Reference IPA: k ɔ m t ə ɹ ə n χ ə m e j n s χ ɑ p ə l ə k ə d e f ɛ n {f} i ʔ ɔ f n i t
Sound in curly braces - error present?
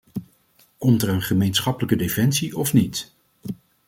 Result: yes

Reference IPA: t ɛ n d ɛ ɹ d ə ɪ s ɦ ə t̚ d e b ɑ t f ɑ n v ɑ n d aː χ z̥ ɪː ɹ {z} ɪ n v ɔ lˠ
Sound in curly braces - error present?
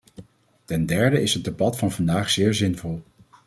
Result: no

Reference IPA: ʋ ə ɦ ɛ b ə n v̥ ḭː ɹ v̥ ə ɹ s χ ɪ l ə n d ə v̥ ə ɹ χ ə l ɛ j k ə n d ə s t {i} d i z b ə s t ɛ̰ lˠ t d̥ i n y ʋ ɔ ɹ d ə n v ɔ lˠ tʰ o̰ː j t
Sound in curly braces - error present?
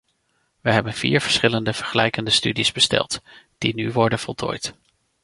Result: yes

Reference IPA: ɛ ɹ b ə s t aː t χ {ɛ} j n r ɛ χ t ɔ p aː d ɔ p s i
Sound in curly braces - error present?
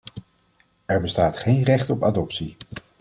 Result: yes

